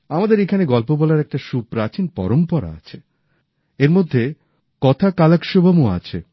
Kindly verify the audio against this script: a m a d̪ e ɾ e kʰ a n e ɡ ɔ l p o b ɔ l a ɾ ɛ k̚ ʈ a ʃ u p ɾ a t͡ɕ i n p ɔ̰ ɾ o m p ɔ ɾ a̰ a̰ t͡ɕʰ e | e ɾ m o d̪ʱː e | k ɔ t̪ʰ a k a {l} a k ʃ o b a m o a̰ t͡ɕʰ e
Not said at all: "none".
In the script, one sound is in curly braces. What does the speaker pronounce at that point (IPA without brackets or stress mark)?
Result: l